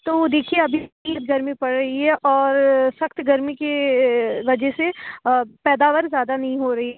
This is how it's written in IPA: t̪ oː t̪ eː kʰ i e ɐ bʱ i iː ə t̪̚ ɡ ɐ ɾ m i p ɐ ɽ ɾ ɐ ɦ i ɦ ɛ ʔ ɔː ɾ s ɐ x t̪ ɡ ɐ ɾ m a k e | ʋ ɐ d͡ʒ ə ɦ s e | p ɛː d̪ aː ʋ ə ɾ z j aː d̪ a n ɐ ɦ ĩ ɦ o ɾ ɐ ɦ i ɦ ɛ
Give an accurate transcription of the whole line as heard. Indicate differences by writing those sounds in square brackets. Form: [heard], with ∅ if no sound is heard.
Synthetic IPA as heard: t̪ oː [d̪] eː kʰ i e ɐ bʱ i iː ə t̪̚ ɡ ɐ ɾ m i p ɐ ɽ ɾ ɐ ɦ i ɦ ɛ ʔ ɔː ɾ s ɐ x t̪ ɡ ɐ ɾ m [i] k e | ʋ ɐ d͡ʒ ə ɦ s e | p ɛː d̪ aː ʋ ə ɾ z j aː d̪ a n ɐ ɦ ĩ ɦ o ɾ ɐ ɦ i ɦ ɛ